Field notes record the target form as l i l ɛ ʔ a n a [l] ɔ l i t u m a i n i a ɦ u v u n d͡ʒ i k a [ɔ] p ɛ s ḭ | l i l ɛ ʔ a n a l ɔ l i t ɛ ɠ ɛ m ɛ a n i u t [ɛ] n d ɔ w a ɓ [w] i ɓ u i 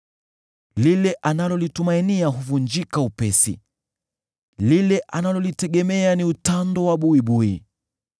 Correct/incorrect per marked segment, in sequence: correct, incorrect, incorrect, incorrect

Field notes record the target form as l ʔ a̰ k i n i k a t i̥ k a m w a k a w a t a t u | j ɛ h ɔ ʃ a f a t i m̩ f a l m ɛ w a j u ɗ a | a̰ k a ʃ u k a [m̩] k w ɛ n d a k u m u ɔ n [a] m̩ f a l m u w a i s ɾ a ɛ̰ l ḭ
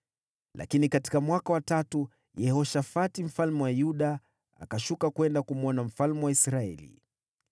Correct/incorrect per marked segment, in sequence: incorrect, correct

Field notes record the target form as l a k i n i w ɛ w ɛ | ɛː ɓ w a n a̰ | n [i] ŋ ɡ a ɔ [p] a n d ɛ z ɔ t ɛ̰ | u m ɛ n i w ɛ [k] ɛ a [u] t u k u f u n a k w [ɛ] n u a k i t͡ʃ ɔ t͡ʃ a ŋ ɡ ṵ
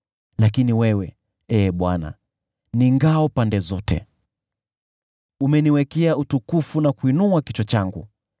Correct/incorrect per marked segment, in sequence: correct, correct, correct, correct, incorrect

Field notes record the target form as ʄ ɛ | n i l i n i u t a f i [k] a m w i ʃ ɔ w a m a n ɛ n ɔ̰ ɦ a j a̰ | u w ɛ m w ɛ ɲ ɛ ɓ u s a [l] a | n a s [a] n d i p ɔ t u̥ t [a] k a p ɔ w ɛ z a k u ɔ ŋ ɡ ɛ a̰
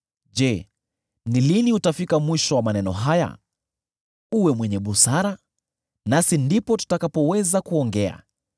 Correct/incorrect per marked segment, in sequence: correct, incorrect, incorrect, correct

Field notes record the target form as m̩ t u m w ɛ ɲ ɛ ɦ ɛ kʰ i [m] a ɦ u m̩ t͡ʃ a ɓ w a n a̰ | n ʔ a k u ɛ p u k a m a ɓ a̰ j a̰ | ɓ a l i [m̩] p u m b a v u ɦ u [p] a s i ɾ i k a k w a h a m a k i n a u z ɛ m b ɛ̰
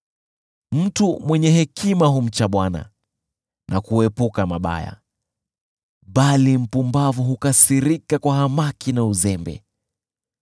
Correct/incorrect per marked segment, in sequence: correct, correct, incorrect

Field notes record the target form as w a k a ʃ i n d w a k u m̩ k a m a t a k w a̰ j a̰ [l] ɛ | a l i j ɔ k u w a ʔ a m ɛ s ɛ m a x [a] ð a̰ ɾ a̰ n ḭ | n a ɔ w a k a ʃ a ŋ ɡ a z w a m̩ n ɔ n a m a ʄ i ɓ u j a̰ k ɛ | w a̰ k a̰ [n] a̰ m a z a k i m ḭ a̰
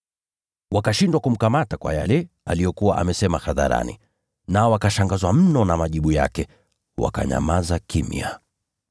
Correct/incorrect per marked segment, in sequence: correct, correct, incorrect

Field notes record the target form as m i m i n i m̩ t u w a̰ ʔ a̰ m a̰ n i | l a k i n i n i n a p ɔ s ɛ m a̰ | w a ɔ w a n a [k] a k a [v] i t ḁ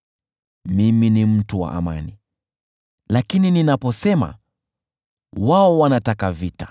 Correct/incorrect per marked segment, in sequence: incorrect, correct

